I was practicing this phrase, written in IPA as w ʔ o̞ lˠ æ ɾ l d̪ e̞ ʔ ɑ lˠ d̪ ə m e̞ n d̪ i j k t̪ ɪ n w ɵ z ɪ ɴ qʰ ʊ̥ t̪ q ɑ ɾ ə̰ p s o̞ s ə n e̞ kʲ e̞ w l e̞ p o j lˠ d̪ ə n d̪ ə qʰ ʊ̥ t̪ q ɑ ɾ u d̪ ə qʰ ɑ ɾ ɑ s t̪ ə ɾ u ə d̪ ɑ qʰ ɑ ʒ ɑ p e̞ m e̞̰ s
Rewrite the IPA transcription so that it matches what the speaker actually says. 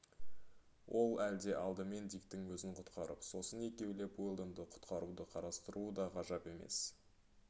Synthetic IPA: w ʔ o̞ lˠ æ l d̪ e̞ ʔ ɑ lˠ d̪ ə m e̞ n d̪ i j k t̪ ɪ ŋ w ɵ z ɪ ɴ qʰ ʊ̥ t̪ q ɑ ɾ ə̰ p s o̞ s ə n e̞ kʲ e̞ w l e̞ p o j lˠ d̪ ə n d̪ ə qʰ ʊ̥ t̪ q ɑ ɾ u d̪ ə qʰ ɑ ɾ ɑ s t̪ ə ɾ u ə d̪ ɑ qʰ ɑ ʒ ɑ p e̞ m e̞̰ s